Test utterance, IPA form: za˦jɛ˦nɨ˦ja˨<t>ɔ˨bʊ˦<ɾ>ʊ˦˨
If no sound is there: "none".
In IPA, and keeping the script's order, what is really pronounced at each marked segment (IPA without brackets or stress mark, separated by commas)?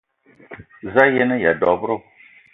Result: d, ɾ